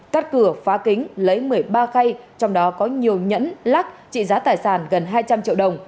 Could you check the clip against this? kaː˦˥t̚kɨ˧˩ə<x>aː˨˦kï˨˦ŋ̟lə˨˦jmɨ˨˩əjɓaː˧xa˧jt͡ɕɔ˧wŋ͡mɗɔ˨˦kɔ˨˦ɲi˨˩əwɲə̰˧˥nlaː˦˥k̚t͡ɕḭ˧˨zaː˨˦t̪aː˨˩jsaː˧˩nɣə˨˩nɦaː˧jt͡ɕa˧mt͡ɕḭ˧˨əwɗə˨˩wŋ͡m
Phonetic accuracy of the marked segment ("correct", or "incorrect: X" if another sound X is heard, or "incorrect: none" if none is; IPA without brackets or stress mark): incorrect: f